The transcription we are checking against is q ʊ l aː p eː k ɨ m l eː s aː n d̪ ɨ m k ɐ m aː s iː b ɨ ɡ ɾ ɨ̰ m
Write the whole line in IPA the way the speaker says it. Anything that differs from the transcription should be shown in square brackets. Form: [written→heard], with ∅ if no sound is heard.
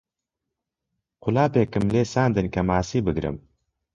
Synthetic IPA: q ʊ l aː p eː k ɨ m l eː s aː n d̪ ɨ [m→n] k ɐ m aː s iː b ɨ ɡ ɾ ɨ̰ m